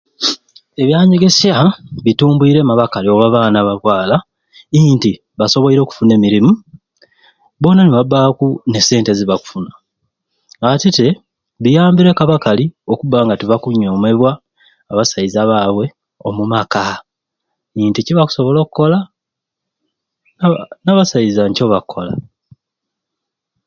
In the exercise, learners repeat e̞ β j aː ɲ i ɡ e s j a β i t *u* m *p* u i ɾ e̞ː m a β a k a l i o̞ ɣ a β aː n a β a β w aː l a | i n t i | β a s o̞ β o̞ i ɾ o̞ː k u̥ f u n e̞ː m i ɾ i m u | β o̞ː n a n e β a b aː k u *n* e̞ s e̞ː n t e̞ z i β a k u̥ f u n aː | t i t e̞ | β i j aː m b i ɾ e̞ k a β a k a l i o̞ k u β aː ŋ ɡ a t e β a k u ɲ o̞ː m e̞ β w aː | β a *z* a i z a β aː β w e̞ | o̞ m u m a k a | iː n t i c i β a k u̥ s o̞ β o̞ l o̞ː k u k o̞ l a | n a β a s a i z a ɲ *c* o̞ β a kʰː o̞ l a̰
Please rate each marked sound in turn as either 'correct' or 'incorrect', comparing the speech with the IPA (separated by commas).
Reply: incorrect, incorrect, correct, incorrect, correct